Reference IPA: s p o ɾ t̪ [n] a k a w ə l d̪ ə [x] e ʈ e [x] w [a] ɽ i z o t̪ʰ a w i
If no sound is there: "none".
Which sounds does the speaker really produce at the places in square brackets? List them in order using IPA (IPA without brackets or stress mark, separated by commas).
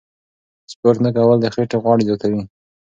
n, x, ɣ, ɑ